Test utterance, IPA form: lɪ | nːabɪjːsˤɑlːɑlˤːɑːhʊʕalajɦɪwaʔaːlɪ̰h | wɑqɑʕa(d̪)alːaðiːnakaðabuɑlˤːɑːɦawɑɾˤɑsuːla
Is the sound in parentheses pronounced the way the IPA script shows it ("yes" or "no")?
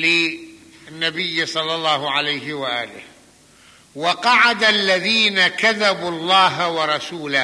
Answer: yes